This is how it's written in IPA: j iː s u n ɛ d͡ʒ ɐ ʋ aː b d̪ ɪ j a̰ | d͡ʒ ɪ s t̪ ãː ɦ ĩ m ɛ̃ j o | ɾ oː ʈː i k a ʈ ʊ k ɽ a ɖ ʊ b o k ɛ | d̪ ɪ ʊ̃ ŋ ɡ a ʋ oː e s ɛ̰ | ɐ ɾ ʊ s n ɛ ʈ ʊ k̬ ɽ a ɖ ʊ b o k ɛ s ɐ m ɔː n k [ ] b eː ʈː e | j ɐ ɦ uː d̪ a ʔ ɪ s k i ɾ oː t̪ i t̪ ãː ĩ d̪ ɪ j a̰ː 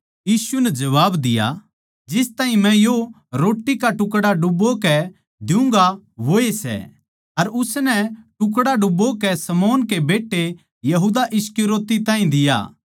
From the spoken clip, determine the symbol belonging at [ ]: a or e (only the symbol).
e